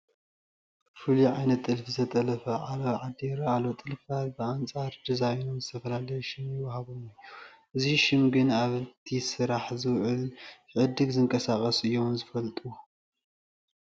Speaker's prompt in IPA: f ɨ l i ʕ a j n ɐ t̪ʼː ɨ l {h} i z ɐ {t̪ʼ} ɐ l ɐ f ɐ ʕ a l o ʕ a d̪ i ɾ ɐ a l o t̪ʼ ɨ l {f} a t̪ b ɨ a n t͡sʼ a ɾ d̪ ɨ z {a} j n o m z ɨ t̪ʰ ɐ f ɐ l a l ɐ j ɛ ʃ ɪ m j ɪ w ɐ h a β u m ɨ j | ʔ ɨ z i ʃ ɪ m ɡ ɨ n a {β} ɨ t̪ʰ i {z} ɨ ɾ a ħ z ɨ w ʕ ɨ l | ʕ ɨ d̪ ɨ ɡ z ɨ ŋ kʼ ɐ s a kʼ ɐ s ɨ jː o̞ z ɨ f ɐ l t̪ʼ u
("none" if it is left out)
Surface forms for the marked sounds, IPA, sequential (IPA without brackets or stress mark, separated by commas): f, t̪ʼ, f, a, β, s